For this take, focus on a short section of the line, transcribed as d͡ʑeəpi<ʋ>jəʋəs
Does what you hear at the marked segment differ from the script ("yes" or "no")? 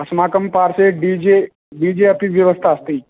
no